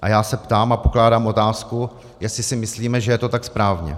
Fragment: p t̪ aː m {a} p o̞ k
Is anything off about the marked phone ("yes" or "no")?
no